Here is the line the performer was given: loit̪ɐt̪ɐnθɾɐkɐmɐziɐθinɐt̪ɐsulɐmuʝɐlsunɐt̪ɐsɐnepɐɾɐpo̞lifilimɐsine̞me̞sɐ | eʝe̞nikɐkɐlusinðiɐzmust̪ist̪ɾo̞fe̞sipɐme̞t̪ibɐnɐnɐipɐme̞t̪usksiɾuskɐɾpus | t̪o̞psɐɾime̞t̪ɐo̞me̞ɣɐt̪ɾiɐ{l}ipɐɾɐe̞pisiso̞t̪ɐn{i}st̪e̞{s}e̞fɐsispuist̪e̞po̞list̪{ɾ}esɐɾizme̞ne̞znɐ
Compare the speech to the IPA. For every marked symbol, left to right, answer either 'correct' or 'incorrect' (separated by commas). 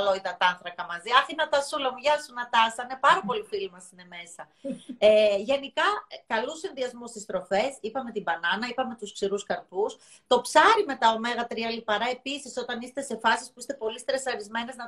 correct, correct, correct, correct